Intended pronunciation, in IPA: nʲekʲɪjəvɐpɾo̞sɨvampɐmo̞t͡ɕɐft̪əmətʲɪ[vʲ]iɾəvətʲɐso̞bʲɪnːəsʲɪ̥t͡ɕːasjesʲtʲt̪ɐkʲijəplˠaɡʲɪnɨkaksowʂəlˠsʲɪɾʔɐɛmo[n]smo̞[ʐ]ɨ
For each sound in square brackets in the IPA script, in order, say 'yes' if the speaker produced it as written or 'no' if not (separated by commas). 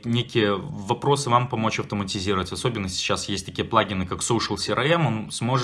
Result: no, yes, yes